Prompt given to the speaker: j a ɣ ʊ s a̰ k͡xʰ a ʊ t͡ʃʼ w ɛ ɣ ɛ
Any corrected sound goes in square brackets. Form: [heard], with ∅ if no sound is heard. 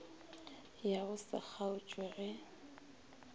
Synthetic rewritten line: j a ɣ ʊ s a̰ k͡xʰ a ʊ t͡ʃʼ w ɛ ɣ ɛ